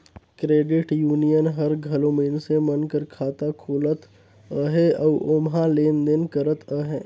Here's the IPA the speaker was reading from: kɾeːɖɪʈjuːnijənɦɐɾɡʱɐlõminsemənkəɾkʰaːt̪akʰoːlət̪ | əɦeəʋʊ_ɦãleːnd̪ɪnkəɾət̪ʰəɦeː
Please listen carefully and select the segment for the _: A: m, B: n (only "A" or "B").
A